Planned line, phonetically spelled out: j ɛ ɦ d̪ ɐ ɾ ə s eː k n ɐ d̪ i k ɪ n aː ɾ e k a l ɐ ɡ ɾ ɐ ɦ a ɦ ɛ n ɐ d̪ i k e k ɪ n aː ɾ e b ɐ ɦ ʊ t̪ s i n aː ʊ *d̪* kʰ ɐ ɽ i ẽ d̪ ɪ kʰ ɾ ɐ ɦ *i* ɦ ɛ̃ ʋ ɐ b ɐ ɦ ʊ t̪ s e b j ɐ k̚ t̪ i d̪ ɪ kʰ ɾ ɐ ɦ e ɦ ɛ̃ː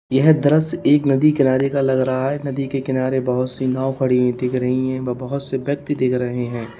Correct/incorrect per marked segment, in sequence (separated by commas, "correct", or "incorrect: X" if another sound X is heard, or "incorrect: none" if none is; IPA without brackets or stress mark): incorrect: none, correct